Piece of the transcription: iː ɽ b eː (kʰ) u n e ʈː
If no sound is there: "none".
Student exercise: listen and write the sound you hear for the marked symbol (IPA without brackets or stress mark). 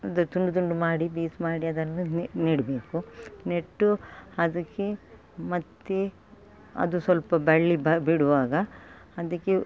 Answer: k